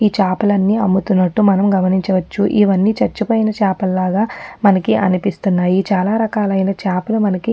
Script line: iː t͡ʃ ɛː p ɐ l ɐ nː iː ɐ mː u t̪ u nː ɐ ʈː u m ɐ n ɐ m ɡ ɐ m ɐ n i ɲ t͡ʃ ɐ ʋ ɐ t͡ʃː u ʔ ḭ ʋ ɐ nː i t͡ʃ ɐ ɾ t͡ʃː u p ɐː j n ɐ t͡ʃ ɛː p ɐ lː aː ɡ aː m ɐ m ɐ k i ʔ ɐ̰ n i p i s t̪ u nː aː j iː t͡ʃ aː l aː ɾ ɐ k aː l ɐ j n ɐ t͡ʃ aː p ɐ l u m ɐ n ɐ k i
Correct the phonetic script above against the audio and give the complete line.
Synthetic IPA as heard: iː t͡ʃ aː p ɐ l ɐ nː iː ɐ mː u t̪ u nː ɐ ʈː u m ɐ n ɐ m ɡ ɐ m ɐ n i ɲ t͡ʃ ɐ ʋ ɐ t͡ʃː u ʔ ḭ ʋ ɐ nː i t͡ʃ ɐ ɾ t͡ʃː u p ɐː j n ɐ t͡ʃ aː p ɐ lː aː ɡ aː m ɐ n ɐ k i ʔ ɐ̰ n i p i s t̪ u nː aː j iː t͡ʃ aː l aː ɾ ɐ k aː l ɐ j n ɐ t͡ʃ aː p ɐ l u m ɐ n ɐ k i